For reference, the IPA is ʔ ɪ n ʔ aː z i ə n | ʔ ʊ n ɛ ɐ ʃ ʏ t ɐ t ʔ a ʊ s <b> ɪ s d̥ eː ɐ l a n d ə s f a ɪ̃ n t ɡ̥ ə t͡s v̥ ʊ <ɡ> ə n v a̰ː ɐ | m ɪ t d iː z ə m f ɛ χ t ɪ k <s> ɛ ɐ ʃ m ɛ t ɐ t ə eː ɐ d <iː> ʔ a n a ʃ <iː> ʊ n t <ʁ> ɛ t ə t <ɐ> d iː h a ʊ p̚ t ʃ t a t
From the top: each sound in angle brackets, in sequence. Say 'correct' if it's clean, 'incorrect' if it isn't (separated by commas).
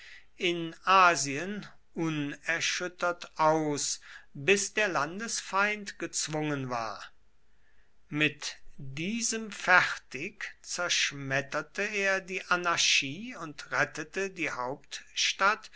correct, incorrect, incorrect, correct, correct, correct, incorrect